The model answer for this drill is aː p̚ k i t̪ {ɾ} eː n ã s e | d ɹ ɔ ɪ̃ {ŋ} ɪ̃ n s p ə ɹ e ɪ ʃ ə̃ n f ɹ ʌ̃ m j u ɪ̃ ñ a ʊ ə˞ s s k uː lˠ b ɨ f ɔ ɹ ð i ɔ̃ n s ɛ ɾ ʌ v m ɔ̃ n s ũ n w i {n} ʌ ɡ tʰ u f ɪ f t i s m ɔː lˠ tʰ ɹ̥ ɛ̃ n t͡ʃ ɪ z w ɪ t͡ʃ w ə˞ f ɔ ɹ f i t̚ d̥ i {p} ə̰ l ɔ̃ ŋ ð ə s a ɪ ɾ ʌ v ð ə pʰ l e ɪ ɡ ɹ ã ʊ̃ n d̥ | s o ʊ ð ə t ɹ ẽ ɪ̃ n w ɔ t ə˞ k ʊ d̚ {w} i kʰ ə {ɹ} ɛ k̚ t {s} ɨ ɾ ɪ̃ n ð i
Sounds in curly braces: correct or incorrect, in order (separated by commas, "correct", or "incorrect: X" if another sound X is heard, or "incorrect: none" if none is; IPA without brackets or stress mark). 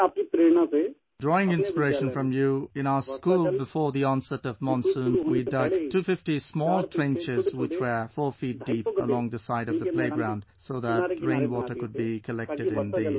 correct, correct, incorrect: d, correct, incorrect: b, incorrect: l, incorrect: t